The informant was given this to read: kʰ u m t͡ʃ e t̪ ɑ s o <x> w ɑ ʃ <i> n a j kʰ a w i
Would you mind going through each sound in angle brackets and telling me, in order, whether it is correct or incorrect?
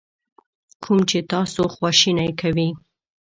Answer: correct, correct

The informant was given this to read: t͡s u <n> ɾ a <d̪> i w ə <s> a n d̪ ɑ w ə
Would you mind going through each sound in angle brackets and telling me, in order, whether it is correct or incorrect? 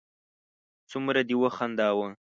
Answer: incorrect, correct, incorrect

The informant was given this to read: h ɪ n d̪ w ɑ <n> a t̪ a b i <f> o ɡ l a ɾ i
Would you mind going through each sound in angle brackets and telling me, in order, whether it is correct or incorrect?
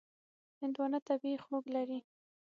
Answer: correct, incorrect

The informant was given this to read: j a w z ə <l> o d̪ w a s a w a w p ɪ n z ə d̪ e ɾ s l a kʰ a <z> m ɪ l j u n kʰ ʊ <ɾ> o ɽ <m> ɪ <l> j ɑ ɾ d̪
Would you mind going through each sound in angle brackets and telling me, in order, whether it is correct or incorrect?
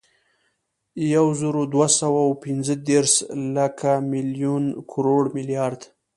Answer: incorrect, incorrect, correct, correct, correct

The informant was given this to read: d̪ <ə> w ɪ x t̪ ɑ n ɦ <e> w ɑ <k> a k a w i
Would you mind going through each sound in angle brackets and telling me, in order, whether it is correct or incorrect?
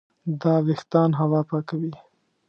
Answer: incorrect, incorrect, incorrect

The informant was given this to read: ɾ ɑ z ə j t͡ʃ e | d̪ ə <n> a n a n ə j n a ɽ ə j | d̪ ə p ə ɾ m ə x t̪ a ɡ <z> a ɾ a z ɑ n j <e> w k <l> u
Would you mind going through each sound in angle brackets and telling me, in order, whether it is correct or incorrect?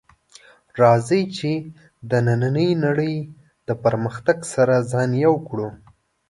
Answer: correct, incorrect, incorrect, incorrect

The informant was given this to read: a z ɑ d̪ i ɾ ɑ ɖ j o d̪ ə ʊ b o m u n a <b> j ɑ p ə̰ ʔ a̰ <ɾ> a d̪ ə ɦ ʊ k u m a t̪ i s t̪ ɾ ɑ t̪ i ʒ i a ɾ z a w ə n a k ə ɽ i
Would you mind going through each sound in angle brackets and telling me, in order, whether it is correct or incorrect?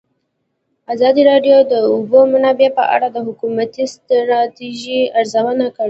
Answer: correct, incorrect

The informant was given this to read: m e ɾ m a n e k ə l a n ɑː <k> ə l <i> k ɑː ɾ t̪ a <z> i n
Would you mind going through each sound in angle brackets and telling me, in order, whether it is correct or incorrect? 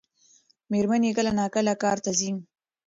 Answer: correct, incorrect, correct

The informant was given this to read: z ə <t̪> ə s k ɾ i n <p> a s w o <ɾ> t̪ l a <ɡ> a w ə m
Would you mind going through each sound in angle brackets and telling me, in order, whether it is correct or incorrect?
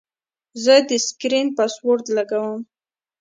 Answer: incorrect, correct, correct, correct

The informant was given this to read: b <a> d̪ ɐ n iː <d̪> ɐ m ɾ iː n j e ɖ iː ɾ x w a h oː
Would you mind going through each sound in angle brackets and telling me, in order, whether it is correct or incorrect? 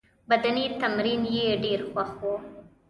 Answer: incorrect, incorrect

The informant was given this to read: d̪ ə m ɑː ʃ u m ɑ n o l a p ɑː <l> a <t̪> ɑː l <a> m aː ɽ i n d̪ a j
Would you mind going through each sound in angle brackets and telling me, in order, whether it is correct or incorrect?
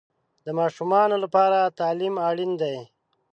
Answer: incorrect, correct, incorrect

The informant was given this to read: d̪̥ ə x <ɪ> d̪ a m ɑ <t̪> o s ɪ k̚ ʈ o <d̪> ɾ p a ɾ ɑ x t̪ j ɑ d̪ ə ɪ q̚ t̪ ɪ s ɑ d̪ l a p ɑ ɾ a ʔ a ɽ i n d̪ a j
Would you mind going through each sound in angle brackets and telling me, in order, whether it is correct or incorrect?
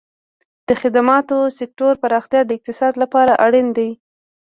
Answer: correct, correct, incorrect

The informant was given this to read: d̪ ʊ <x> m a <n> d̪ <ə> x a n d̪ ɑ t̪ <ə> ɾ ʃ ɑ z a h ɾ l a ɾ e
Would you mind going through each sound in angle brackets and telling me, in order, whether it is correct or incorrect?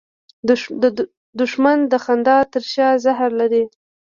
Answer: incorrect, correct, correct, correct

